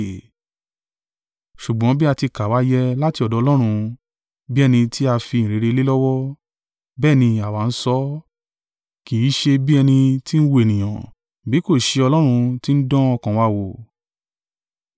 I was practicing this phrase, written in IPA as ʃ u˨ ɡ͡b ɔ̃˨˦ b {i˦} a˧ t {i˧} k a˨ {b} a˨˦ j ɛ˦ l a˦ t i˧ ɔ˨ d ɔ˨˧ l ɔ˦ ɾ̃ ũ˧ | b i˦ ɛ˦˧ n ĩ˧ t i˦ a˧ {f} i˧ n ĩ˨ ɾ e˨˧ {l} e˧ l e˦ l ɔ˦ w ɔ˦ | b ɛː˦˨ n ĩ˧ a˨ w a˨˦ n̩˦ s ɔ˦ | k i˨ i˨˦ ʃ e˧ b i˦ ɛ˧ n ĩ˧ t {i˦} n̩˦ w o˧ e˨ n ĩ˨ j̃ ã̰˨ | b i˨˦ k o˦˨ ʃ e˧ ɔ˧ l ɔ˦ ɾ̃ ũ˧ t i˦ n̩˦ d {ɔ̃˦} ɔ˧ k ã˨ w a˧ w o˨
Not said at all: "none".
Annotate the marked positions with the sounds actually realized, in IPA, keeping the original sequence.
i˦, i˧, w, f, ɾ, i˦, ɔ̃˦

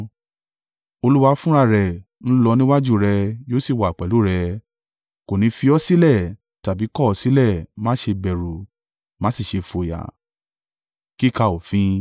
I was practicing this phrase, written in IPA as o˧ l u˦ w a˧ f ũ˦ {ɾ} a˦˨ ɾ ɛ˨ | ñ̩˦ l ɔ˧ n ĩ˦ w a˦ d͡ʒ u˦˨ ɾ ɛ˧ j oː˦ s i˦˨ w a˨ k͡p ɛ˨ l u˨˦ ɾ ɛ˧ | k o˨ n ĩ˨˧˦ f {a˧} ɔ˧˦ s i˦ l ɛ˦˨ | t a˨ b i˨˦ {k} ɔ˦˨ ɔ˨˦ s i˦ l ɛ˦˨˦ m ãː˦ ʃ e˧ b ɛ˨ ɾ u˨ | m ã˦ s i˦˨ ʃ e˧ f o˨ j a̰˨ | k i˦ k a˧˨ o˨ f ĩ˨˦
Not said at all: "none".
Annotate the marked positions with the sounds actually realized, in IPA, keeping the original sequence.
ɾ, i˧, k

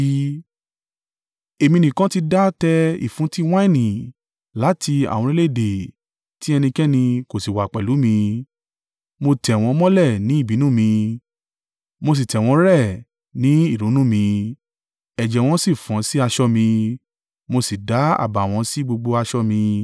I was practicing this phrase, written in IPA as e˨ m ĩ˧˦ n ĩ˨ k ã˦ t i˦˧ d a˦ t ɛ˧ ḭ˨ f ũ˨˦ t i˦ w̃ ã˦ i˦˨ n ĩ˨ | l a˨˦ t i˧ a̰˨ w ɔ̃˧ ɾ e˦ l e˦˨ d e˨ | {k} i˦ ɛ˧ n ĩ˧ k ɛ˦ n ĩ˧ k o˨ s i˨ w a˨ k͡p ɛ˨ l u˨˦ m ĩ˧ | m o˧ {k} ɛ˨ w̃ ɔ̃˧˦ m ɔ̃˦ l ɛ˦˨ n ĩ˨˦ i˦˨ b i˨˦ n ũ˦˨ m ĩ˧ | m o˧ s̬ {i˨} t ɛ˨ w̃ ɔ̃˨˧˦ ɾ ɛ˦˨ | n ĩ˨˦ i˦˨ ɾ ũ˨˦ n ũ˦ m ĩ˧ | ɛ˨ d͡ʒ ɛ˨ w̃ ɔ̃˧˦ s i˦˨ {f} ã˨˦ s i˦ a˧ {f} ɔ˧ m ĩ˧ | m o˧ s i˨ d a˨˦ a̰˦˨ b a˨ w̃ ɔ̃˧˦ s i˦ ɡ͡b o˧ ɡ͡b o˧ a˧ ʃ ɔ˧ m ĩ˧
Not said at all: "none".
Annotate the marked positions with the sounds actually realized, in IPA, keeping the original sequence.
t, t, i˨, f, ʃ

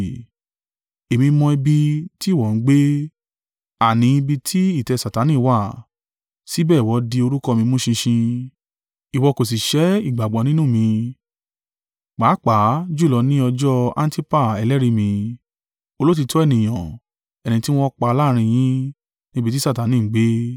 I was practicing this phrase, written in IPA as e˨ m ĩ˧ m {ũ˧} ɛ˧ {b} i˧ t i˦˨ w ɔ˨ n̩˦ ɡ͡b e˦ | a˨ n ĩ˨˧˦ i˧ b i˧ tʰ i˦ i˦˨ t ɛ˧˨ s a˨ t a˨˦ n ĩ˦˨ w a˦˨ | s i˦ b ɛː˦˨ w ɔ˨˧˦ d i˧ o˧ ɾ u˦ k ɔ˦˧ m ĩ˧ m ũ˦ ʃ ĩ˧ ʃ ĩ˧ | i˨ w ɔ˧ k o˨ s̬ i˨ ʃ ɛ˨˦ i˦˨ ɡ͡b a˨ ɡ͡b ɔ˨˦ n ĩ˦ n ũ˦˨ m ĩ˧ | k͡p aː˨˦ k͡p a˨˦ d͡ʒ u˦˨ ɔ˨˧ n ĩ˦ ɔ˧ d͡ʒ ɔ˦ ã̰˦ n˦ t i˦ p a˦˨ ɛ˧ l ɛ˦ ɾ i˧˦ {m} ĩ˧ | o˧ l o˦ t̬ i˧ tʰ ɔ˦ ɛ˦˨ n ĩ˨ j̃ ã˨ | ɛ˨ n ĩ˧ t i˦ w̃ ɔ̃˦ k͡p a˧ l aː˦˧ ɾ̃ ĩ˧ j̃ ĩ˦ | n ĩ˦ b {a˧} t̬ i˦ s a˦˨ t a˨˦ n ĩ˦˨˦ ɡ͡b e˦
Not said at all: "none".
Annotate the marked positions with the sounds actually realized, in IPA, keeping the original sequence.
ɔ̃˧, b, m, i˧

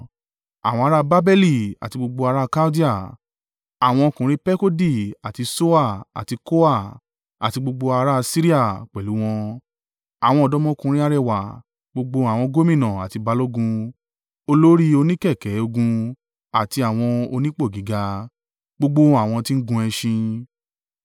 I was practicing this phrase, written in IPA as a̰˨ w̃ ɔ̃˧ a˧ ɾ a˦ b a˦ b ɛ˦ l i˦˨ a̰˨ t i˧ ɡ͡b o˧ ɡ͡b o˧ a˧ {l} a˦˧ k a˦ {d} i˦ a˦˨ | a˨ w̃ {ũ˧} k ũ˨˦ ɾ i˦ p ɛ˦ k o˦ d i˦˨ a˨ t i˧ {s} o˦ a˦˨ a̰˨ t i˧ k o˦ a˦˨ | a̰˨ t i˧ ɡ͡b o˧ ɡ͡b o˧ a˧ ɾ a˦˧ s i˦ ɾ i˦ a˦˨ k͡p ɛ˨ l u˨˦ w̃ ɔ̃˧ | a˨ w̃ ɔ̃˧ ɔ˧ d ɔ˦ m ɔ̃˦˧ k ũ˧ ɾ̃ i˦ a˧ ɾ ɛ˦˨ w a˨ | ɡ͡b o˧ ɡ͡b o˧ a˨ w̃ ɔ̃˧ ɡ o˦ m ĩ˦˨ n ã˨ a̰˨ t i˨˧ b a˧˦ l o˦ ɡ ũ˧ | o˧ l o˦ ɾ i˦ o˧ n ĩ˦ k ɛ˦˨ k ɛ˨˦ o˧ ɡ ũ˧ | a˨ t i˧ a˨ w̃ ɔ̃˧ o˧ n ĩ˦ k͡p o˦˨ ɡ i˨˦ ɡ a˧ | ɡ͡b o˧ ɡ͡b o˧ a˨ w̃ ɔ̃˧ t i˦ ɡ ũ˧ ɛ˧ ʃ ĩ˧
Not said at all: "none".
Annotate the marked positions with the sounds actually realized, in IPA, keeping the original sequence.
ɾ, d, ɔ̃˧, s

